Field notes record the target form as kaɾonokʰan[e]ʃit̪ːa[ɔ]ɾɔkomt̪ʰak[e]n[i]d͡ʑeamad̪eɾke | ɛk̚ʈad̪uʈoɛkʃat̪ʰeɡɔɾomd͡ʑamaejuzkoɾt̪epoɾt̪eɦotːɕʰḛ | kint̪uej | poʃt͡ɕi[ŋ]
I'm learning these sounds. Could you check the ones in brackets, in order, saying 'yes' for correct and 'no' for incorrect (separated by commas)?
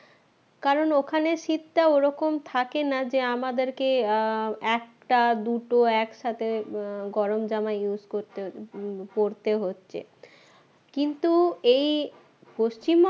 yes, no, yes, no, no